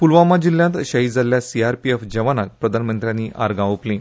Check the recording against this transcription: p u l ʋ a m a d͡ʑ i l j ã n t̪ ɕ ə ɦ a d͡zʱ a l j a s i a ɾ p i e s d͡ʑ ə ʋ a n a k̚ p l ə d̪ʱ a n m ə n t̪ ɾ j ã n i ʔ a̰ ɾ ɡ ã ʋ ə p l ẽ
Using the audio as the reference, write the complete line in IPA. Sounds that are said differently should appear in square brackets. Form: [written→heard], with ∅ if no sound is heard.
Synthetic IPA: p u l ʋ a m a d͡ʑ i l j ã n t̪ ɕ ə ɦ [a→i] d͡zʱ a l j a s i a ɾ p i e [s→f] d͡ʑ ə ʋ a n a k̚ p [l→ɾ] ə d̪ʱ a n m ə n t̪ ɾ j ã n i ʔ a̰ ɾ ɡ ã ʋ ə p l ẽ